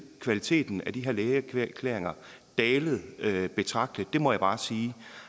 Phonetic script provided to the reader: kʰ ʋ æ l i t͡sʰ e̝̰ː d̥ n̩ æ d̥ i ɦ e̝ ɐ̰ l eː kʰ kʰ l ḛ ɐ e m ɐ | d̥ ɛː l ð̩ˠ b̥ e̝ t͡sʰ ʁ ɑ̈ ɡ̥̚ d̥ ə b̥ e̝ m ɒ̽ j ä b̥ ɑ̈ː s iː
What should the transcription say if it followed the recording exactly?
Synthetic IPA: kʰ ʋ æ l i t͡sʰ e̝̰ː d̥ n̩ æ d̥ i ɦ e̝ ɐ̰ l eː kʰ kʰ l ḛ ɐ e ŋ ɐ | d̥ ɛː l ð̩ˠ b̥ e̝ t͡sʰ ʁ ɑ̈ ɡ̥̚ d̥ ə d̥ e̝ m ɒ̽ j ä b̥ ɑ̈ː s iː

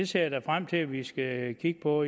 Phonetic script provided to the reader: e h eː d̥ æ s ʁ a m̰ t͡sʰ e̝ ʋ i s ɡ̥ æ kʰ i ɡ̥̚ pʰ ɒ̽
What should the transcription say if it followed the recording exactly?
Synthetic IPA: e s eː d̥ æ f ʁ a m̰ t͡sʰ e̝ ʋ i s ɡ̥ æ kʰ i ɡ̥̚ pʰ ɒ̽

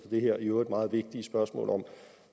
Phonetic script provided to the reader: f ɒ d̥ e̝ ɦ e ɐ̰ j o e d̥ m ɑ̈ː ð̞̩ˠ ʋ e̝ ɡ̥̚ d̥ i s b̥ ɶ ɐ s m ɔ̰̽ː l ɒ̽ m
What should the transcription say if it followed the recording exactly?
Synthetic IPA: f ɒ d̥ e̝ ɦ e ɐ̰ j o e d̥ m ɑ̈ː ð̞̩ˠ ʋ e̝ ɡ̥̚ d̥ i s b̥ ɶ ɐ s m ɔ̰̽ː l ɒ̽ m

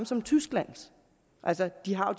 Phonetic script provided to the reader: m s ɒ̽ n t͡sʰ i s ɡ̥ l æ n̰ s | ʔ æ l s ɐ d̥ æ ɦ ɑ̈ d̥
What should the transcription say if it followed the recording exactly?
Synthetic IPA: m s ɒ̽ m t͡sʰ y s ɡ̥ l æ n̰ s | ʔ æ l s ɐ d̥ i ɦ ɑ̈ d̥

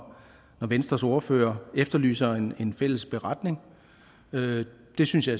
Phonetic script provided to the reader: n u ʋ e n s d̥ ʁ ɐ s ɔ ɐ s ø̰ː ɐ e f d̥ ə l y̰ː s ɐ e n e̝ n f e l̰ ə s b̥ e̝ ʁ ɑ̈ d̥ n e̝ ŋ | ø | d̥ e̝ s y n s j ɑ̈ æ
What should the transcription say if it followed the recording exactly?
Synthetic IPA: n ɒ ʋ e n s d̥ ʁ ɐ s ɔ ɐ f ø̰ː ɐ e f d̥ ɐ l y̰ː s ɐ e n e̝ n f e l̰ ə s b̥ e̝ ʁ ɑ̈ d̥ n e̝ ŋ | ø | d̥ e̝ s y n s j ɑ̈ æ

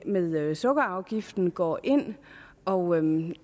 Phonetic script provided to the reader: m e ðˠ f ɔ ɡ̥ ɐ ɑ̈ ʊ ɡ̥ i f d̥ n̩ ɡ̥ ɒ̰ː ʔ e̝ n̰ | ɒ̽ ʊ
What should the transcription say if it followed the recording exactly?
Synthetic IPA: m e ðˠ s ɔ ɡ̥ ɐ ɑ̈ ʊ ɡ̥ i f d̥ n̩ ɡ̥ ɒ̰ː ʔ e̝ n̰ | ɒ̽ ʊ

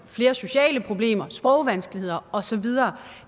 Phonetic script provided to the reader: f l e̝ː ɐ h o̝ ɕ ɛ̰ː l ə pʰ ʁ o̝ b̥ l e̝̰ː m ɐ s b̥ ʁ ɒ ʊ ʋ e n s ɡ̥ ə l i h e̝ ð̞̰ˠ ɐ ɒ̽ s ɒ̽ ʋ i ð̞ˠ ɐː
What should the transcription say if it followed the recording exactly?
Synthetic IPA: f l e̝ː ɐ s o̝ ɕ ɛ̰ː l ə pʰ ʁ o̝ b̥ l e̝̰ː m ɐ s b̥ ʁ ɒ ʊ ʋ æ n s ɡ̥ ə l i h e̝ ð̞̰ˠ ɐ ɒ̽ s ɒ̽ ʋ i ð̞ˠ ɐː

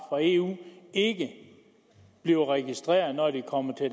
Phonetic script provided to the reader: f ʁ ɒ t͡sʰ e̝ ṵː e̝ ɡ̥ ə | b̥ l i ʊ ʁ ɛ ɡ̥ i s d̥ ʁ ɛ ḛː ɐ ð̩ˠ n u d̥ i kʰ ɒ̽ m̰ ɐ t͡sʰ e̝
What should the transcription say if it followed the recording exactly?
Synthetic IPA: f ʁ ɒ e̝ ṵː e̝ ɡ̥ ə | b̥ l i ʊ ʁ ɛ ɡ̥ i s d̥ ʁ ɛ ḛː ɐ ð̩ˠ n ɒ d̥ i kʰ ɒ̽ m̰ ɐ t͡sʰ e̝

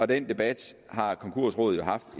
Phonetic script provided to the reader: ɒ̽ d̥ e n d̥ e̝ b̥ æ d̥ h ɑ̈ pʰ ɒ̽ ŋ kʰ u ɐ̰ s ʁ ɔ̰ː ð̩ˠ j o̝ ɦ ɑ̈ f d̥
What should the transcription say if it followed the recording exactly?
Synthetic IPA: ɒ̽ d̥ e n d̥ e̝ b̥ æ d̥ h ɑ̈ kʰ ɒ̽ ŋ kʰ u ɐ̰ s ʁ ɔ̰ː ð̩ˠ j o̝ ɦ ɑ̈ f d̥

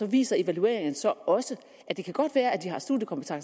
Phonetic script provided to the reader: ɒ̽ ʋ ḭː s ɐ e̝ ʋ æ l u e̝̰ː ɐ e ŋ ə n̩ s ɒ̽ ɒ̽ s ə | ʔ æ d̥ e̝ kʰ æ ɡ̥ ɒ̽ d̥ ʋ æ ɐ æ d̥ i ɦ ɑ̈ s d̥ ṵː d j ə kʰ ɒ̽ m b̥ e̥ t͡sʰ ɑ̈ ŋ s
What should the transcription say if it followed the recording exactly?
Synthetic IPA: ɒ̽ ʋ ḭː s ɐ e̝ ʋ æ l u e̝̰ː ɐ e ŋ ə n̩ s ɒ̽ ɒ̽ s ə | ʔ æ d̥ e̝ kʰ æ ɡ̥ ɒ̽ d̥ ʋ æː ɐ æ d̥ i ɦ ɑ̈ s d̥ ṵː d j ə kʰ ɒ̽ m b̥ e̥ t͡sʰ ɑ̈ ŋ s

